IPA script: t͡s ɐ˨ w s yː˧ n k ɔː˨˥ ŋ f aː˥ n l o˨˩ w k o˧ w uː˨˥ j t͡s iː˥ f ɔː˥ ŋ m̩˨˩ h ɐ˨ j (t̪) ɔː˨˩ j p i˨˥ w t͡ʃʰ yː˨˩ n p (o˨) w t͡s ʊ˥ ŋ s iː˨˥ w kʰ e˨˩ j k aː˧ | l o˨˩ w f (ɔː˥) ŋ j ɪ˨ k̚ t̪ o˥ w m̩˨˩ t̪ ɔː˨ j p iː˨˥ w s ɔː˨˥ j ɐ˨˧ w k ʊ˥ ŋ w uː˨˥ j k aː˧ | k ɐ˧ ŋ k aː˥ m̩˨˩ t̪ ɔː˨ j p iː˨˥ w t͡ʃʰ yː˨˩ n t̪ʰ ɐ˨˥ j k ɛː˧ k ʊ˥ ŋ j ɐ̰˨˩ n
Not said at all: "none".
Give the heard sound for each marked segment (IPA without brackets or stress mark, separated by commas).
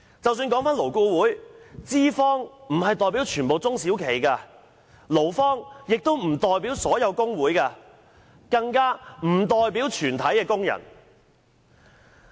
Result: t̪, o˨, ɔː˥